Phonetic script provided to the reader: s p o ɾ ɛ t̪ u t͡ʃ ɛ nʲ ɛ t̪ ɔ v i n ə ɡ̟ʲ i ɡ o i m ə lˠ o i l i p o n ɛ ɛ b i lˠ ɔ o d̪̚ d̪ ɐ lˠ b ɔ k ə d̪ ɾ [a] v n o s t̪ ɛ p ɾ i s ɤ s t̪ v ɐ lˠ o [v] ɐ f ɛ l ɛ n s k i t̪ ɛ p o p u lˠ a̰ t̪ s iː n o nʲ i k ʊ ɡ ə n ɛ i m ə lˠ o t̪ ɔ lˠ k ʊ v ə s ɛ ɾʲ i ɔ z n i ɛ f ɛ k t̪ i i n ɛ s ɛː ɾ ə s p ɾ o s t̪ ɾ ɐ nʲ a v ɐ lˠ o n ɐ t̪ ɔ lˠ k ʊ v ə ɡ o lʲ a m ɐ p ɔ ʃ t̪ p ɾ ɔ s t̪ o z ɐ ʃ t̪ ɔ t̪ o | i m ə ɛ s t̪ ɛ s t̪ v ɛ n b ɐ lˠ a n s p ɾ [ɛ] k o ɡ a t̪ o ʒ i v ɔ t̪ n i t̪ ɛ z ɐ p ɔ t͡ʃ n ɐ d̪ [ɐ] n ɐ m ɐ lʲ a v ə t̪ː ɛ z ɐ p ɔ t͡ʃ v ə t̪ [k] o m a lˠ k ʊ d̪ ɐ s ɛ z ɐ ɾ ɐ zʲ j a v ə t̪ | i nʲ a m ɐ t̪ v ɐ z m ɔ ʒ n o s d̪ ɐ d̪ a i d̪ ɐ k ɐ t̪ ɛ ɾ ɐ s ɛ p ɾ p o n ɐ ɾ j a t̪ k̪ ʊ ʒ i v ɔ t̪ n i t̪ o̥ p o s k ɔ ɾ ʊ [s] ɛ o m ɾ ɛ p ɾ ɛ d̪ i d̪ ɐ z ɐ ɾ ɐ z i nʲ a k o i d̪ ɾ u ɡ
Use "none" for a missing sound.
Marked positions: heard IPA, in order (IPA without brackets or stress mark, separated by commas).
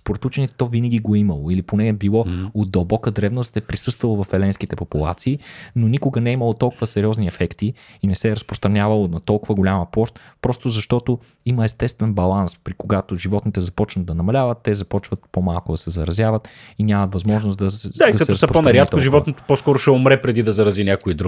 ɛ, v, i, ɐ, p, ʃ